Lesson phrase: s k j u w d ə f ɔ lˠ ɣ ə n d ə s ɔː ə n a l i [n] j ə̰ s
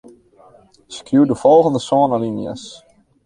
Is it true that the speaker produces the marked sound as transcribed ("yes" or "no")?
yes